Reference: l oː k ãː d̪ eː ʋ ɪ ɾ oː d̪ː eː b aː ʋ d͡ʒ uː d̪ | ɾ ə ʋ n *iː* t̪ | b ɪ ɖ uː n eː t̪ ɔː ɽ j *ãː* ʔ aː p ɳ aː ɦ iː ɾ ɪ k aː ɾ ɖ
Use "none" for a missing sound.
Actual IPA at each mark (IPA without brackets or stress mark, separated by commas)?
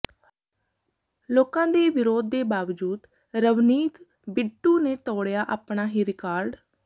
iː, aː